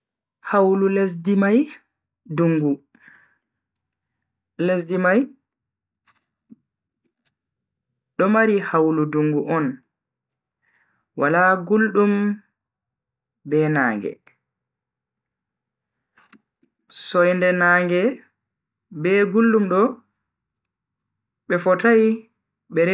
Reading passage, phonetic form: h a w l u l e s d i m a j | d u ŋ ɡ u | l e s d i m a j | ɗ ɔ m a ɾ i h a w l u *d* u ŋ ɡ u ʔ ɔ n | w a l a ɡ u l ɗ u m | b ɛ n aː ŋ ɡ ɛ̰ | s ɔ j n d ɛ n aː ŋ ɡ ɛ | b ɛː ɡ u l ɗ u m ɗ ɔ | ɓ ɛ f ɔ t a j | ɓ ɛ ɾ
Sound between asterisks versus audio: correct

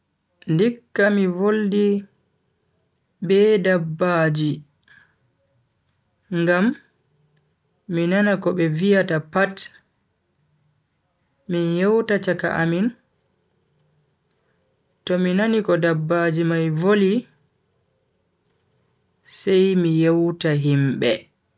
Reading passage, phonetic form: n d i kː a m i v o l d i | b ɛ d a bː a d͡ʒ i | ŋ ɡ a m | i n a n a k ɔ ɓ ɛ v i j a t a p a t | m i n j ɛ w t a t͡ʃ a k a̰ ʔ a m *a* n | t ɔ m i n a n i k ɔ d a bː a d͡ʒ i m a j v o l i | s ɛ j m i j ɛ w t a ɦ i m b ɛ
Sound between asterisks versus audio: incorrect: i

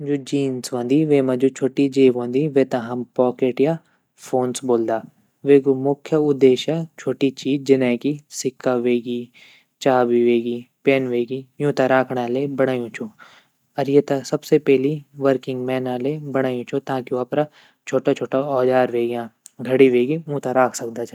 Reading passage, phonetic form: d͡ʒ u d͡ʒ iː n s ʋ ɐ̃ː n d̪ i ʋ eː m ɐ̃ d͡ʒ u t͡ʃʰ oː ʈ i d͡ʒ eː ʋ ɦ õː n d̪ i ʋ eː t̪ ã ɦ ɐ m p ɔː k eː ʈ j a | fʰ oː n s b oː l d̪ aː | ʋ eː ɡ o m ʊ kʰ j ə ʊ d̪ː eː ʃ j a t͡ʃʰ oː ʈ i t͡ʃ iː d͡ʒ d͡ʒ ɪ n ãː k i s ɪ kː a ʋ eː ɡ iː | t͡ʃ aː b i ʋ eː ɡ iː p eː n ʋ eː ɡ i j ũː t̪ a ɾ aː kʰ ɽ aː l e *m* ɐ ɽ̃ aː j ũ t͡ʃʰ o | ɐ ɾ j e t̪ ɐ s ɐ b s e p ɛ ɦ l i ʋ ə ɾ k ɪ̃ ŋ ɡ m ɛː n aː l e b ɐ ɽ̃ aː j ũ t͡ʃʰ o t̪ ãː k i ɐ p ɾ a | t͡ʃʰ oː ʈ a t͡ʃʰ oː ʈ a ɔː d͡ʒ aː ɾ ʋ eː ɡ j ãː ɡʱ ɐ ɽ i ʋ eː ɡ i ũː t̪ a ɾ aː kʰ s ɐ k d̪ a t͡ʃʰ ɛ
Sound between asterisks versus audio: incorrect: b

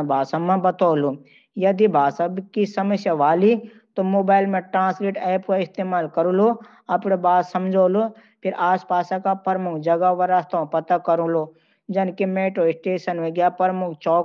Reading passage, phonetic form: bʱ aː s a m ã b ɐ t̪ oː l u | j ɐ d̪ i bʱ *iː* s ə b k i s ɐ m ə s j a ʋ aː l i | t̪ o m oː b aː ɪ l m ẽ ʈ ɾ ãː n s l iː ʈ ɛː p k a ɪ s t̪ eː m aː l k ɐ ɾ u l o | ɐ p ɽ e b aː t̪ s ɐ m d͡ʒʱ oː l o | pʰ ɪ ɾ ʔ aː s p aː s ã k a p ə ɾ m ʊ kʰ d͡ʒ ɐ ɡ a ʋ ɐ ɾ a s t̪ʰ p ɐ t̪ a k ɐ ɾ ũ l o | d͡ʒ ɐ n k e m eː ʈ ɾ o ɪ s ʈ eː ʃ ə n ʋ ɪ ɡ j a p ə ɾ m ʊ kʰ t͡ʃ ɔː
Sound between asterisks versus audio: incorrect: aː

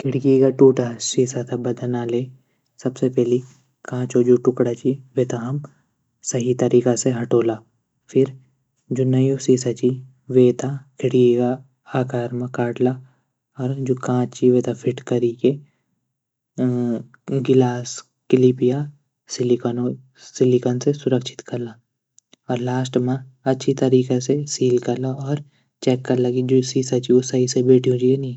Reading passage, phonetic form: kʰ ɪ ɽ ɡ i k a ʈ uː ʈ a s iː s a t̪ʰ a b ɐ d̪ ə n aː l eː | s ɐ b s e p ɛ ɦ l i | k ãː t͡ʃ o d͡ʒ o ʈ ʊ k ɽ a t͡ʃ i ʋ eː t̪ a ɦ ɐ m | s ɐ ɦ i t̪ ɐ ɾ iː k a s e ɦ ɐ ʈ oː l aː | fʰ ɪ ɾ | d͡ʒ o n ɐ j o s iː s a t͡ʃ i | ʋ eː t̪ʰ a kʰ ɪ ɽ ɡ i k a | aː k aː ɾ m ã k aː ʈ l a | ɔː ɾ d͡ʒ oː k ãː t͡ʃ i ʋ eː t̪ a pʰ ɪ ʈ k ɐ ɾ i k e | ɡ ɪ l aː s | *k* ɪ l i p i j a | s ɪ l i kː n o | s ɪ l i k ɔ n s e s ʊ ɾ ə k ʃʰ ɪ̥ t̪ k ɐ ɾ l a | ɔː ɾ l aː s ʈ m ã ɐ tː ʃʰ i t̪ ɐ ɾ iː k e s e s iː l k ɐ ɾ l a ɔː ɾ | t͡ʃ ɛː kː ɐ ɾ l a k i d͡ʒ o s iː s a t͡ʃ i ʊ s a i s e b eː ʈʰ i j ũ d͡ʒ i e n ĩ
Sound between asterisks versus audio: correct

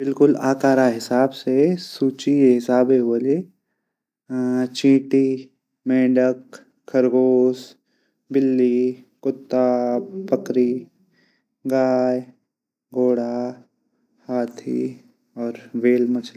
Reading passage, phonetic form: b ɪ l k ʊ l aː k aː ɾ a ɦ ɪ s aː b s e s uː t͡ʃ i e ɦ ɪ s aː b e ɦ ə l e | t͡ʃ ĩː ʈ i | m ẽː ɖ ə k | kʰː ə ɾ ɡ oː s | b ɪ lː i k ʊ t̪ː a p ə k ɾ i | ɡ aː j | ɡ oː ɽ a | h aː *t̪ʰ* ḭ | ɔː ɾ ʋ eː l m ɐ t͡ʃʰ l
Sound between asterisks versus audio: correct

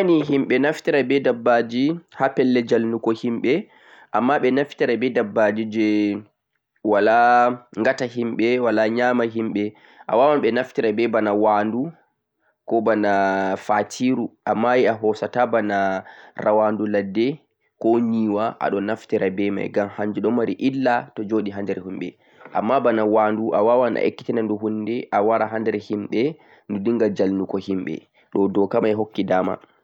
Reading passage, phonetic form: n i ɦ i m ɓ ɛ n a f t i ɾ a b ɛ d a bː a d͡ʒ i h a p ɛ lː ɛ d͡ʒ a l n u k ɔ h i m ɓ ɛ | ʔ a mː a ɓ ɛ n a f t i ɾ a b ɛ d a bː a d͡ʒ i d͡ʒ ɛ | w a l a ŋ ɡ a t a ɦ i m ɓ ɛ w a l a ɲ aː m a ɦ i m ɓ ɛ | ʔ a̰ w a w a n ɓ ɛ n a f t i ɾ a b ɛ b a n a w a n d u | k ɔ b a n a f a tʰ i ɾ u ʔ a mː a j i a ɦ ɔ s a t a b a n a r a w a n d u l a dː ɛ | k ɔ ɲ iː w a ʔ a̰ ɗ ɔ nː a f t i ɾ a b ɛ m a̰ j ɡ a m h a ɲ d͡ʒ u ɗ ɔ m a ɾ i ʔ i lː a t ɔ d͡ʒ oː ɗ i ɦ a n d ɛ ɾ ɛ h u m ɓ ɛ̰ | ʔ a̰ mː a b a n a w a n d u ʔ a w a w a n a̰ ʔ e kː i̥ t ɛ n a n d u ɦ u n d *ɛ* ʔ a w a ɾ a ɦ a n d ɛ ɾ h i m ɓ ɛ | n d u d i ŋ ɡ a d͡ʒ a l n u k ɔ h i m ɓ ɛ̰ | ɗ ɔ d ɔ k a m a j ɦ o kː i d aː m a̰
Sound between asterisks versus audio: correct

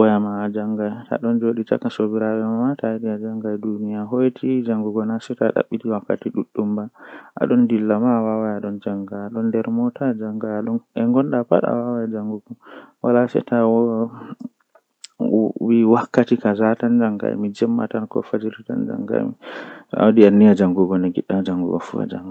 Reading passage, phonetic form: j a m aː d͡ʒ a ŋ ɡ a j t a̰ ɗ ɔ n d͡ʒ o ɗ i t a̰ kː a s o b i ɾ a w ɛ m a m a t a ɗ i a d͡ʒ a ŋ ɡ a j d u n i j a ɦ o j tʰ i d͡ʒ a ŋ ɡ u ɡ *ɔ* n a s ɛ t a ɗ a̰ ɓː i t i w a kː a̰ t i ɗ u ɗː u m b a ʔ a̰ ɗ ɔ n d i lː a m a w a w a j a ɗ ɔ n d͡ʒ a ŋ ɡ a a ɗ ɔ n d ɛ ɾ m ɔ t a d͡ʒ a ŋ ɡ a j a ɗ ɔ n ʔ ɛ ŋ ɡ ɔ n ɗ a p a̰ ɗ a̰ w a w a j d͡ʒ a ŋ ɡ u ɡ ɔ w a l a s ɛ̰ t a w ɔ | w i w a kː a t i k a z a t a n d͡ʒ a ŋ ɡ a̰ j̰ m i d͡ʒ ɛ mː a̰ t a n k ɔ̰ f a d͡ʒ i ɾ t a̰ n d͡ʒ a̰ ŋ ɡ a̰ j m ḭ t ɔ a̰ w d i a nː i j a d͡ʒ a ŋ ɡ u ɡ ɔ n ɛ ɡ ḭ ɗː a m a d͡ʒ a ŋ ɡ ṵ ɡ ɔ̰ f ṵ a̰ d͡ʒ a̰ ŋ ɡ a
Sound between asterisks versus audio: correct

